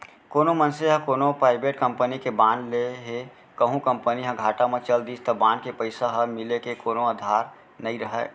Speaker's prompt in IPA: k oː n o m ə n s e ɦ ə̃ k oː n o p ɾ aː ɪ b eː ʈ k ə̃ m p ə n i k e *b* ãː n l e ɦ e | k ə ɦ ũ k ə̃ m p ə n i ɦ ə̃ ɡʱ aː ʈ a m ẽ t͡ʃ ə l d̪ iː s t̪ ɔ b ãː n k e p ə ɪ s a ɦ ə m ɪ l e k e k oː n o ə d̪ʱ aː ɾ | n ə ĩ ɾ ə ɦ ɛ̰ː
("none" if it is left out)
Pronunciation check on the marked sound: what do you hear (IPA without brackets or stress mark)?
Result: b